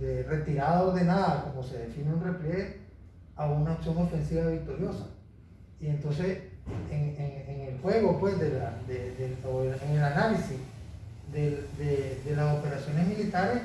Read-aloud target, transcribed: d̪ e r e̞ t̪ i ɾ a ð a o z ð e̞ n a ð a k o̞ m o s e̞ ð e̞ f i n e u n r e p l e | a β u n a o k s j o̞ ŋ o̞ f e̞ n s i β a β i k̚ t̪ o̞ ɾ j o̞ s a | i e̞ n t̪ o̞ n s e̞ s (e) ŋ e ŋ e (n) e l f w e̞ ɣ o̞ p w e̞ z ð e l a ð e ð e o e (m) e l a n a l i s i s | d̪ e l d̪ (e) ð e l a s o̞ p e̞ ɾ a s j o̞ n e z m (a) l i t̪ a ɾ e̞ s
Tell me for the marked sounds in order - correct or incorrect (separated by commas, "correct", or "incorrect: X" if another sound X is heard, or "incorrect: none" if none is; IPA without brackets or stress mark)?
correct, incorrect: ŋ, incorrect: ŋ, correct, incorrect: i